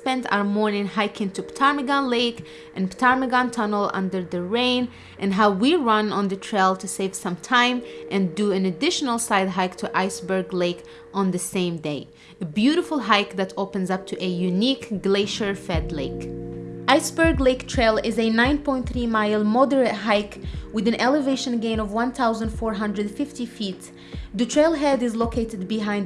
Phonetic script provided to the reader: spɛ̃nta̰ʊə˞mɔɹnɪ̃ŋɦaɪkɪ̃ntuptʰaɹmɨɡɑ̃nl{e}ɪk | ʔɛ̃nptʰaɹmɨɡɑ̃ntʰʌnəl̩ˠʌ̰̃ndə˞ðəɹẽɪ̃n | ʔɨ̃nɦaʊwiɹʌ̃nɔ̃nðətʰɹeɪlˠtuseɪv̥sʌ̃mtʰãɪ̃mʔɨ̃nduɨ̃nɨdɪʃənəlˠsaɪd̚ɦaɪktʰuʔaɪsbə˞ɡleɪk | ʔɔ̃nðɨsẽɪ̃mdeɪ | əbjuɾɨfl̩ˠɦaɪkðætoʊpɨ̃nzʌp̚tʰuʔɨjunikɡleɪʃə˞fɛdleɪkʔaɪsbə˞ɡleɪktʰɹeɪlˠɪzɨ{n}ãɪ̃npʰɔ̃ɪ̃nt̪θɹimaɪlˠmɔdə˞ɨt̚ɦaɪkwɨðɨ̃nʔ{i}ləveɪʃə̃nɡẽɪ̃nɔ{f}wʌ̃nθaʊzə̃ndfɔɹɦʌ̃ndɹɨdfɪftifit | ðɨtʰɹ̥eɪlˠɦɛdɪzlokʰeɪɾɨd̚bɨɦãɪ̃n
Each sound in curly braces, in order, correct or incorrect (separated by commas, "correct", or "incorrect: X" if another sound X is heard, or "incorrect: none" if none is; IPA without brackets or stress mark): correct, correct, incorrect: ɛ, incorrect: v